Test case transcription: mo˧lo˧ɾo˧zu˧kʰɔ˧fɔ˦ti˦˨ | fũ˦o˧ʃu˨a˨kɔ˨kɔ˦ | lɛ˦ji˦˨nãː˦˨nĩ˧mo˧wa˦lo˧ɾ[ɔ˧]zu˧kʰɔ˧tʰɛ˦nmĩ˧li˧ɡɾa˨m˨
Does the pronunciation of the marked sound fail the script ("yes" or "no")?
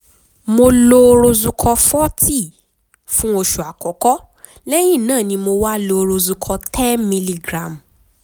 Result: yes